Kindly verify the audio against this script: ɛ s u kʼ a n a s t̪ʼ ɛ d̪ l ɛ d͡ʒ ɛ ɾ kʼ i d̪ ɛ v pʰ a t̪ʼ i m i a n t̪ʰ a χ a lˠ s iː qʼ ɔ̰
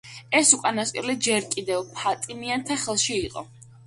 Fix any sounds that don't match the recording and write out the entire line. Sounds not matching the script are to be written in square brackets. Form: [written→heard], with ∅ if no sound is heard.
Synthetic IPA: ɛ s u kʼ a n a s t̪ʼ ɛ [d̪→∅] l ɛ d͡ʒ ɛ ɾ kʼ i d̪ ɛ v pʰ a t̪ʼ i m i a n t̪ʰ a χ [a→ɛ] lˠ [s→ʃ] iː qʼ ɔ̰